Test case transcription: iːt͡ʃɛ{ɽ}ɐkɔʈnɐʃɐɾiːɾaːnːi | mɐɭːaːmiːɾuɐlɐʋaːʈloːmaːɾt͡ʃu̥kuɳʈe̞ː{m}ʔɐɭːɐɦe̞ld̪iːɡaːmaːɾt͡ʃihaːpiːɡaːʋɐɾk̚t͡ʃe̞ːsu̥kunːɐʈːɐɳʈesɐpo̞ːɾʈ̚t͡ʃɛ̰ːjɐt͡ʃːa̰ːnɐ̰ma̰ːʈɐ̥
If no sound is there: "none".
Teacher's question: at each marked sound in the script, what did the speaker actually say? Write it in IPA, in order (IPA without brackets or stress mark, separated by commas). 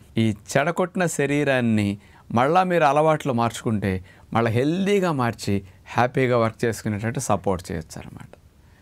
ɽ, m